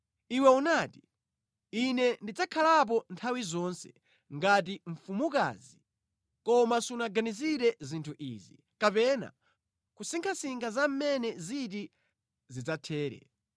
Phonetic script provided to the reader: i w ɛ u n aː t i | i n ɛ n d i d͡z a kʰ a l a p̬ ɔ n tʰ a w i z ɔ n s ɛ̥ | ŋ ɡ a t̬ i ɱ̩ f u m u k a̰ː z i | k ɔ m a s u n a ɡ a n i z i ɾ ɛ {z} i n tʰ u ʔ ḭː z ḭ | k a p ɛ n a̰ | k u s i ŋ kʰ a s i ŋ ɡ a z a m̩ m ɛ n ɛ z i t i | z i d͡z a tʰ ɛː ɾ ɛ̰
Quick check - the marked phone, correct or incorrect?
correct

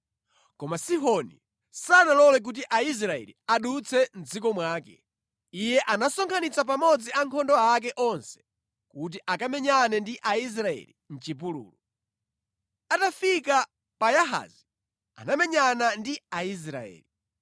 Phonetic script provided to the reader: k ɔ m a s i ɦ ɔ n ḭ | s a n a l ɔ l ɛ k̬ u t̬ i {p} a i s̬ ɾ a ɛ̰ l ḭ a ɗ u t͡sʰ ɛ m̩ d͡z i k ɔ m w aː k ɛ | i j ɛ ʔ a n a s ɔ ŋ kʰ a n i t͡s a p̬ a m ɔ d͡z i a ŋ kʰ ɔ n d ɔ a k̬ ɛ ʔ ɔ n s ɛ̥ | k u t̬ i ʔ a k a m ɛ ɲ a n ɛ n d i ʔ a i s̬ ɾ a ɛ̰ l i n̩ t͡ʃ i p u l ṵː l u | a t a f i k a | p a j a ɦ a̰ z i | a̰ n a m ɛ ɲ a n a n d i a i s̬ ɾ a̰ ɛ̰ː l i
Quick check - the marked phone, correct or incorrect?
incorrect: ʔ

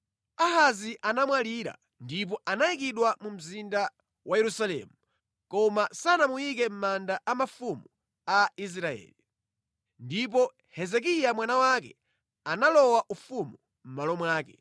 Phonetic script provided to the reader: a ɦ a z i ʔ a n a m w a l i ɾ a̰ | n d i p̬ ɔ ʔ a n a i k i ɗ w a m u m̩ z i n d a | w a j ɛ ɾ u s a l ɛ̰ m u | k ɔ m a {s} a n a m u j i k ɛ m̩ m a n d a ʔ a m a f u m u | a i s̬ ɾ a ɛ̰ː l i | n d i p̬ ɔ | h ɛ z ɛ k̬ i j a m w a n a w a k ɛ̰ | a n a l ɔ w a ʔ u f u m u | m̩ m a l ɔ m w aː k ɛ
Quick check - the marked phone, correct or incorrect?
correct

